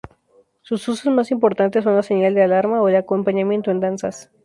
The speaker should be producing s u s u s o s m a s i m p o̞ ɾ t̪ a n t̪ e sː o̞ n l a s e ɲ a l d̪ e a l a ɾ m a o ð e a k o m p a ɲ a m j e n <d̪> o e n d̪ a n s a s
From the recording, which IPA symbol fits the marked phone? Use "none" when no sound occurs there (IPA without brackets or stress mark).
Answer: t̪